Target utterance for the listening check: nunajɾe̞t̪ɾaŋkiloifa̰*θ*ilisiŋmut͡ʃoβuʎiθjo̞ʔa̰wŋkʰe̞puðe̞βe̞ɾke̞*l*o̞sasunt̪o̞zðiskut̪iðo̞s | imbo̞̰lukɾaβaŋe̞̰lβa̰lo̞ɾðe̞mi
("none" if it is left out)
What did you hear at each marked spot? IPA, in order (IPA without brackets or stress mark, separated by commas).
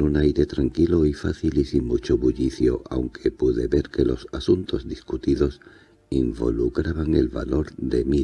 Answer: θ, l